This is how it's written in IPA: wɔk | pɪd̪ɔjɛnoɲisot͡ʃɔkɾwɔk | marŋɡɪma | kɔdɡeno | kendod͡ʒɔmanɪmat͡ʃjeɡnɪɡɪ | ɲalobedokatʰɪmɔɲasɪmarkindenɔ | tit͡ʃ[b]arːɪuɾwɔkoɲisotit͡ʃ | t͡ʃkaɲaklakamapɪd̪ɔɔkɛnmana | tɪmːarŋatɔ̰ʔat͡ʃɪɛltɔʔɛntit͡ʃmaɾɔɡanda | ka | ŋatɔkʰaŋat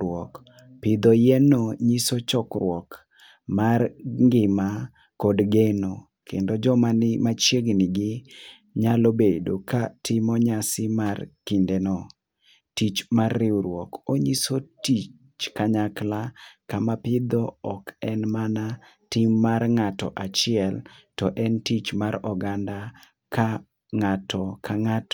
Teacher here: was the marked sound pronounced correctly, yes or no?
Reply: no